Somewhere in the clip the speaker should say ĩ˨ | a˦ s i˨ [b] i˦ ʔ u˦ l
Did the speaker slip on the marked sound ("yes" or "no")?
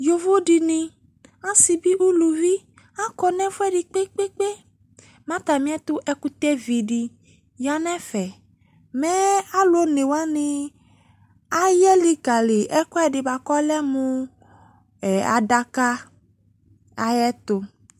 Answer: no